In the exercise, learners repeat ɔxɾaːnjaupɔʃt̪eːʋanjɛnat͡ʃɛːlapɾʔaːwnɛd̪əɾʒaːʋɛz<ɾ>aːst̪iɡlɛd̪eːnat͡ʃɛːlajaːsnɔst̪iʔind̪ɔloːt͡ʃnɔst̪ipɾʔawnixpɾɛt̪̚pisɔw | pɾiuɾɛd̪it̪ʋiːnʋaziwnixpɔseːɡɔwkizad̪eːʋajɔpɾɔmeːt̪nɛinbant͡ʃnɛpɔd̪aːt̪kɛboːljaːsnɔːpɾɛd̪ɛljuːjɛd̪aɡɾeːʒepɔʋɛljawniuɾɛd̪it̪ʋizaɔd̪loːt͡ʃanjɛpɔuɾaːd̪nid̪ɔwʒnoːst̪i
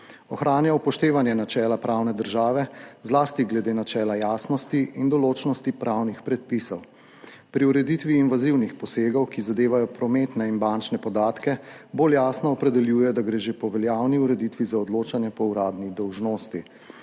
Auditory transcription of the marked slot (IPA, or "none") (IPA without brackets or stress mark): l